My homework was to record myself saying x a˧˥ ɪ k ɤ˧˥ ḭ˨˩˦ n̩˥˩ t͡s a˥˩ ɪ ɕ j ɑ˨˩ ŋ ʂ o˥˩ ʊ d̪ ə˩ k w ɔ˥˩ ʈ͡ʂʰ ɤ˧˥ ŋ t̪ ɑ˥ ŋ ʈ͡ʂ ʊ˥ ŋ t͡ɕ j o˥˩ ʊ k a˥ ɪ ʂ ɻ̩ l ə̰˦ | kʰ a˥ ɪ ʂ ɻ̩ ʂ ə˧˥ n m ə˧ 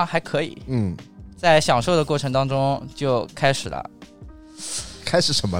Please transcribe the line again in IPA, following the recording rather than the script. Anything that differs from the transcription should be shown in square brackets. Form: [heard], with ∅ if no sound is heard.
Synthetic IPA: x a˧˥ ɪ [kʰ] ɤ˧˥ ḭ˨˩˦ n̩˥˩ t͡s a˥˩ ɪ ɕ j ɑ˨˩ ŋ ʂ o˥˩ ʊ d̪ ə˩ k w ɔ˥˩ ʈ͡ʂʰ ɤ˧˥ ŋ t̪ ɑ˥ ŋ ʈ͡ʂ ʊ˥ ŋ t͡ɕ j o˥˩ ʊ [kʰ] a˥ ɪ ʂ ɻ̩ l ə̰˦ | kʰ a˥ ɪ ʂ ɻ̩ ʂ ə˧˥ n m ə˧